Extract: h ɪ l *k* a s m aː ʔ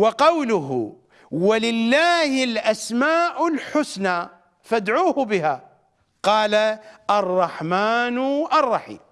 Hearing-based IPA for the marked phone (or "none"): ʔ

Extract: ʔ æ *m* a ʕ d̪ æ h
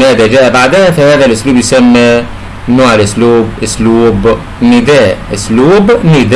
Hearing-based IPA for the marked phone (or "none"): b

